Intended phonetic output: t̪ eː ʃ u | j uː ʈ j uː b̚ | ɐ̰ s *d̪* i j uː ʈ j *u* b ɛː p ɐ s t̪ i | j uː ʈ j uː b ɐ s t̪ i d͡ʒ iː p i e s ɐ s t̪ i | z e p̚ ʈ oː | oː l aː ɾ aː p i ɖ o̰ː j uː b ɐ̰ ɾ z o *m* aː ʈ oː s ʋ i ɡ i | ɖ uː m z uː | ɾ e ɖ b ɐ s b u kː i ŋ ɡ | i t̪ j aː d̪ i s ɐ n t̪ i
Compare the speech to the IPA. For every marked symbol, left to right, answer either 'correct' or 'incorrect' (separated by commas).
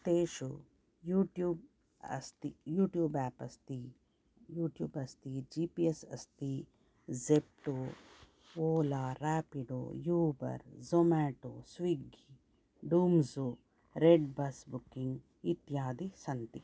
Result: incorrect, incorrect, correct